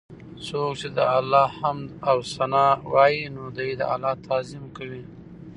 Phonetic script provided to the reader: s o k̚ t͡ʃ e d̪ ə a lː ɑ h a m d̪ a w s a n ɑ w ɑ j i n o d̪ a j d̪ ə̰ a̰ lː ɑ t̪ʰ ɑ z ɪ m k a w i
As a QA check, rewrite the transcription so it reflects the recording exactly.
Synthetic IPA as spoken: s o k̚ t͡ʃ e d̪ ə a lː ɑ h a m d̪ a w s a n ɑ w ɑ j i n o d̪ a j d̪ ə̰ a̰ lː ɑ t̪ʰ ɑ z ɪ m k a w i